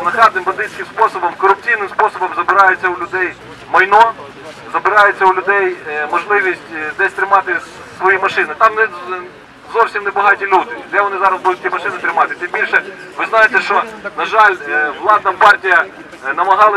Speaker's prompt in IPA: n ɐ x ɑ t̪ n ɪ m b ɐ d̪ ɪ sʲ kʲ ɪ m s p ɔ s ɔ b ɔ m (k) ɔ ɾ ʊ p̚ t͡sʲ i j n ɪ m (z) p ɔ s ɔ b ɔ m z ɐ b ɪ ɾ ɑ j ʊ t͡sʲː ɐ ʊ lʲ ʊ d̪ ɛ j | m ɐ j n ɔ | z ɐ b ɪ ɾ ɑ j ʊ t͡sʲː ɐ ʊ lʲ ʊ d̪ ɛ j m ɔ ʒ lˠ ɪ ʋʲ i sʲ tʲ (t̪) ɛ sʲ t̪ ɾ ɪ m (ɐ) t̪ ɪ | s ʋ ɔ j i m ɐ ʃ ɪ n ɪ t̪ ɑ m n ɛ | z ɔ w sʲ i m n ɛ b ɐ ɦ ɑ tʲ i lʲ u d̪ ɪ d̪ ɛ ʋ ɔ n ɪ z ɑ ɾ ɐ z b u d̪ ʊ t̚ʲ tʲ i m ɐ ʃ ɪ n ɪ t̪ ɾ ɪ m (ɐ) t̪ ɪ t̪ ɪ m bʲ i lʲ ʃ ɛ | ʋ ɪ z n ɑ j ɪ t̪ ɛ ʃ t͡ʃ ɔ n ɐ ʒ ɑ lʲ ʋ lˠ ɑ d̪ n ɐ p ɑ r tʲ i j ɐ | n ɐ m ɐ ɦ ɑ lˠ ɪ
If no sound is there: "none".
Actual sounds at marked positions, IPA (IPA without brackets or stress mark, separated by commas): k, s, d̪, ɑ, ɑ